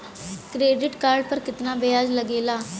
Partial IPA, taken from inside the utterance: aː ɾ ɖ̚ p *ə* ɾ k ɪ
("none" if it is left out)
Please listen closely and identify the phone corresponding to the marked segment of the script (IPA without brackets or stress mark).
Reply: ə